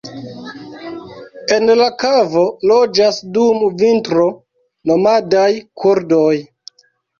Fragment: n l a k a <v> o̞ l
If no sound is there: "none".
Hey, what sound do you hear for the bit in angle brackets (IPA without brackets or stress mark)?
v